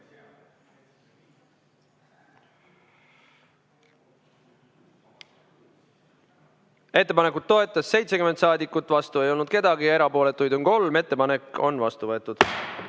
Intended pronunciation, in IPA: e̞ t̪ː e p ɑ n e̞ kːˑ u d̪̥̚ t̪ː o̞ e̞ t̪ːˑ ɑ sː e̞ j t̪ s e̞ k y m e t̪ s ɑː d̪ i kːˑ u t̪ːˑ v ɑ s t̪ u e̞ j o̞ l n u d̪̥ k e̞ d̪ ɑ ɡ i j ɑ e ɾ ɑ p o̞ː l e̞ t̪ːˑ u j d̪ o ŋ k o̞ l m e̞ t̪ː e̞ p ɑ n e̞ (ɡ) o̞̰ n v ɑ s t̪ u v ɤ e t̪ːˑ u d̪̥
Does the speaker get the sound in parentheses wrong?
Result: yes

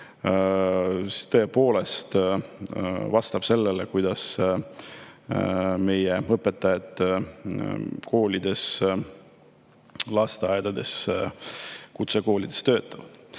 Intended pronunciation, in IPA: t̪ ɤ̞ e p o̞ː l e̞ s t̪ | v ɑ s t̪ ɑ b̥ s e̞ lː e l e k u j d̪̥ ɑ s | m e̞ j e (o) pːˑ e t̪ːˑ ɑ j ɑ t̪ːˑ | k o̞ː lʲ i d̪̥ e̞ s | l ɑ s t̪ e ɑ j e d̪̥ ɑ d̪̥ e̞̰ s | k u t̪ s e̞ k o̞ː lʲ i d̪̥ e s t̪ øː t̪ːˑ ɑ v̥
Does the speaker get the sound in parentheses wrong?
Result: yes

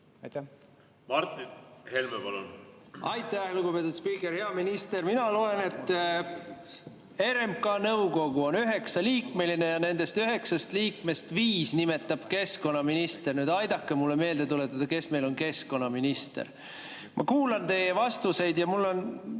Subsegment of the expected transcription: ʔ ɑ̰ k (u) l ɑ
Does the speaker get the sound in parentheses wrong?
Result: yes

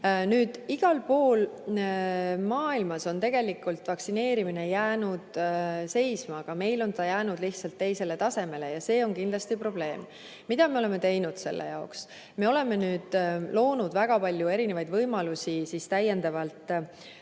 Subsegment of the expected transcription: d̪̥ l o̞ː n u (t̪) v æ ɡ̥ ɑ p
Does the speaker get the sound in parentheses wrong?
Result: yes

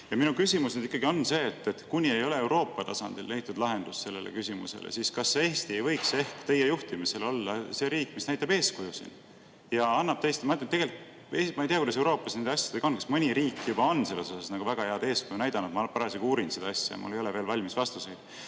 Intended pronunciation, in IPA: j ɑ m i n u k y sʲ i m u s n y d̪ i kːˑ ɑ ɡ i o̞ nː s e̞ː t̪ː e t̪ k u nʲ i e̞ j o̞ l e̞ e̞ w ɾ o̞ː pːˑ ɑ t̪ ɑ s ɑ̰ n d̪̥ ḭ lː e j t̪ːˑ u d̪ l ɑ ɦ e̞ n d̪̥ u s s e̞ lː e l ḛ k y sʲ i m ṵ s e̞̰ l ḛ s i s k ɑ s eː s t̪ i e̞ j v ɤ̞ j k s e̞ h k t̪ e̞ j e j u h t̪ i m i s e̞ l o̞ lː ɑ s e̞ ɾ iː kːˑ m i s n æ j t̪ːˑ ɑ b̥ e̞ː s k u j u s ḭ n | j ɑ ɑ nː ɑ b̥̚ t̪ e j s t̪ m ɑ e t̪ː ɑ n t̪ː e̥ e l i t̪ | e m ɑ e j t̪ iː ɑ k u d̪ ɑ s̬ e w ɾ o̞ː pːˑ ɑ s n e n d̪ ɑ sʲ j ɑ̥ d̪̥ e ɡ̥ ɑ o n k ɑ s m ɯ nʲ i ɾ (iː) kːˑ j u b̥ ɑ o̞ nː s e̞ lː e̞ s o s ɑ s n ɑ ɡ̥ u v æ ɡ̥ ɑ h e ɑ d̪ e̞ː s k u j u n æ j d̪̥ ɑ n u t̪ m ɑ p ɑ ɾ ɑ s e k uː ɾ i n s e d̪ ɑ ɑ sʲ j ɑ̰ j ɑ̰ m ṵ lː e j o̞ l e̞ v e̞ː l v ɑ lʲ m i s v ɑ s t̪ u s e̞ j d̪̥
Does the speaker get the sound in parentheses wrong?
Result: no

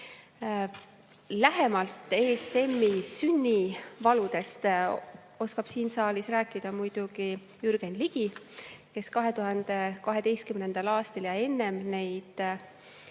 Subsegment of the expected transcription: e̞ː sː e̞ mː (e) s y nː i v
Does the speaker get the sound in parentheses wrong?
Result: yes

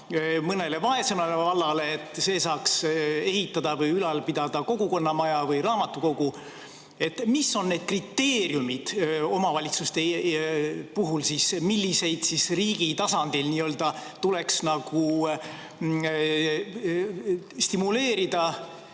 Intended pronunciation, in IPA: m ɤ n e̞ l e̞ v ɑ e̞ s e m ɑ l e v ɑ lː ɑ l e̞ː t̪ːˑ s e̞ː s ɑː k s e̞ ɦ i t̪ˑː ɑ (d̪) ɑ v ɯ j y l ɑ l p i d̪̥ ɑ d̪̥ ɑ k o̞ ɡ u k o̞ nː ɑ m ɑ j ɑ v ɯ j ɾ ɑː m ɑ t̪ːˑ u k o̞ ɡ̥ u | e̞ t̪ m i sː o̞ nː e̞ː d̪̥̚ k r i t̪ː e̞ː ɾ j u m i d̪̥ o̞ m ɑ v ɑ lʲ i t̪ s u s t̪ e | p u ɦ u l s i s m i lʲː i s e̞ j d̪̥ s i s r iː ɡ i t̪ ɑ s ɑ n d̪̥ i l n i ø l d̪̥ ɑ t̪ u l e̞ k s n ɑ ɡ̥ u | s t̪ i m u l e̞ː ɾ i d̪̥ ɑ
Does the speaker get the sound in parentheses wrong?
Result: no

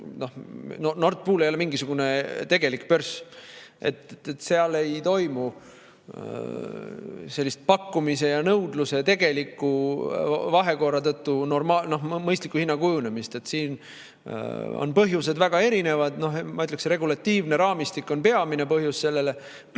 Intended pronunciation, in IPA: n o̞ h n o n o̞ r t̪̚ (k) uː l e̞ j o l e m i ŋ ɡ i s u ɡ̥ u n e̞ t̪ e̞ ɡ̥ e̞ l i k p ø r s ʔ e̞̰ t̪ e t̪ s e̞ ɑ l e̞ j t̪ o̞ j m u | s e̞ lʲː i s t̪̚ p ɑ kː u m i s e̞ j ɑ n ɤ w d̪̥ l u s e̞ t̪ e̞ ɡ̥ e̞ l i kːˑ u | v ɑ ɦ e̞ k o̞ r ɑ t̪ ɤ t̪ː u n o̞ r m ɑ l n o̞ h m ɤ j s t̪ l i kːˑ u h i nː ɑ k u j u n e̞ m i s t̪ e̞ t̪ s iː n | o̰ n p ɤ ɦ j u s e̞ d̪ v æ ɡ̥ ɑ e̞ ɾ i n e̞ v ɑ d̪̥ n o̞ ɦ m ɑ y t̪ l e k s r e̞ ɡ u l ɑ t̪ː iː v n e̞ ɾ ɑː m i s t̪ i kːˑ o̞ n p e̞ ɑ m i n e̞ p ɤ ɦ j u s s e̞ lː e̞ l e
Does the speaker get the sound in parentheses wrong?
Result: yes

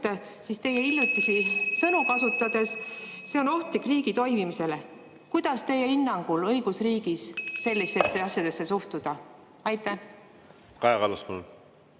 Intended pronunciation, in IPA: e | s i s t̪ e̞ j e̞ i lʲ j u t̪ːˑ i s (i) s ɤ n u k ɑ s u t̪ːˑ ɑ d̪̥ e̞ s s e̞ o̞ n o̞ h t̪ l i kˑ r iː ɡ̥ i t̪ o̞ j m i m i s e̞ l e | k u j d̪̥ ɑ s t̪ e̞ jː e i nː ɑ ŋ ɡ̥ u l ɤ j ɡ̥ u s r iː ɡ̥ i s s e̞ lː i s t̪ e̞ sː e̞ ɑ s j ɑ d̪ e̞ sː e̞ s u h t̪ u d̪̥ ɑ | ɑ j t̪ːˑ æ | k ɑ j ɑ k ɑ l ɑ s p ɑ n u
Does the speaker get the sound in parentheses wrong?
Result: no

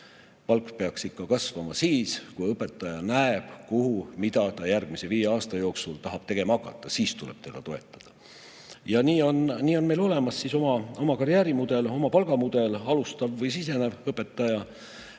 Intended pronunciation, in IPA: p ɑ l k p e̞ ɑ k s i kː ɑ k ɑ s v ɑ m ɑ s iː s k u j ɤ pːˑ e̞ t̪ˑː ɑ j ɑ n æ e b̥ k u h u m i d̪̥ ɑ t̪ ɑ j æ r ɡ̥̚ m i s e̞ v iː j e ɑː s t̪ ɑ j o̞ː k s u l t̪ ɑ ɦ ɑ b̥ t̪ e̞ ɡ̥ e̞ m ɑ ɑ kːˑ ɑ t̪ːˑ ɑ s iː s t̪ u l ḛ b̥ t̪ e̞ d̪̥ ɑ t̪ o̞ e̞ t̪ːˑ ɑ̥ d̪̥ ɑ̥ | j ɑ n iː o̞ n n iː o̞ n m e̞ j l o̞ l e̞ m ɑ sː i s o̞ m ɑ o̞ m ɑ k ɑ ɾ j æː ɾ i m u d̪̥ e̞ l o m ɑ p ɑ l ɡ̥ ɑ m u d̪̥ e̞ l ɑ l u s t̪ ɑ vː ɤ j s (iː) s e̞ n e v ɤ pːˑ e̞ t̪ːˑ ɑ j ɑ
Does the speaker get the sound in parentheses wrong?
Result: yes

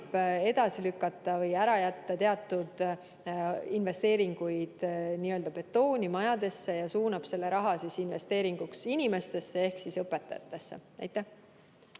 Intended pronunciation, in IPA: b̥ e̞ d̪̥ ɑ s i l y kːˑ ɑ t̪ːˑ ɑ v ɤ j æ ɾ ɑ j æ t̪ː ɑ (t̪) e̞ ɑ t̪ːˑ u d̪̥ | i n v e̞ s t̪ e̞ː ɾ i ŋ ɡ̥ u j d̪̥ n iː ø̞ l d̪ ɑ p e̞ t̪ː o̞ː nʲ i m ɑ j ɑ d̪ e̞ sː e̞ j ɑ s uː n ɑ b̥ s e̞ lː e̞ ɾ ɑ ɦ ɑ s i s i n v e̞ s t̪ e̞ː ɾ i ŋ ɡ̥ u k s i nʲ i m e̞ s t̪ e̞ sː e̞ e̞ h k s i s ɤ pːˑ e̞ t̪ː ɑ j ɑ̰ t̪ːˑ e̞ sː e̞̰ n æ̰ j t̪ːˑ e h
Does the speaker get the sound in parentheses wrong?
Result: no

